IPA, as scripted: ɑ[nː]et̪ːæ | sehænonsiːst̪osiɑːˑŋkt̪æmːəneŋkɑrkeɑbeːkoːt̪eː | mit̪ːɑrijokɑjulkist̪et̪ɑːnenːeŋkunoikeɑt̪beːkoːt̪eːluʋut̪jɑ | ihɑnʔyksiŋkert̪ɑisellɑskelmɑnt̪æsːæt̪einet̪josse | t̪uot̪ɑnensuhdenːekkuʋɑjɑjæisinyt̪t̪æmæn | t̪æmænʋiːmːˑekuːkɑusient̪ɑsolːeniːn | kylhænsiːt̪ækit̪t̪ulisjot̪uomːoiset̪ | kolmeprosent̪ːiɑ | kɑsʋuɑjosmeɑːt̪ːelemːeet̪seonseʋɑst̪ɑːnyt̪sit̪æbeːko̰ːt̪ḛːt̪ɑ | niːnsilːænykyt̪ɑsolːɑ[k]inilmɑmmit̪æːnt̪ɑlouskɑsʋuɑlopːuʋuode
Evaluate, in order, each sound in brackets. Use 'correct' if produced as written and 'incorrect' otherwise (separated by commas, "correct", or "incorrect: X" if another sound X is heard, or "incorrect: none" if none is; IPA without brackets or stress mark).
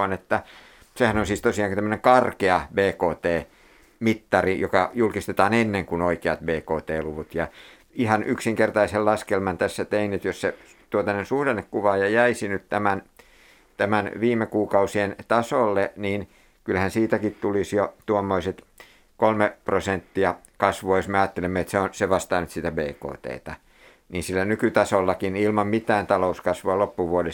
incorrect: n, correct